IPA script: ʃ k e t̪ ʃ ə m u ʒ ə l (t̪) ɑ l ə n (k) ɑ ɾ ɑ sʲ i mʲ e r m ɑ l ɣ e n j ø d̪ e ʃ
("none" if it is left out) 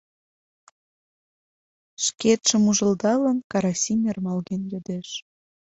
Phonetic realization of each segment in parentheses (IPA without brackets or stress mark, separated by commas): d̪, k